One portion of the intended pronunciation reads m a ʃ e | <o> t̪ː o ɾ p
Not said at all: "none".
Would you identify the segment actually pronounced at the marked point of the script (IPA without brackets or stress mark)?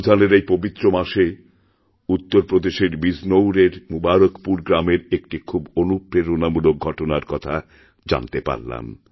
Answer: u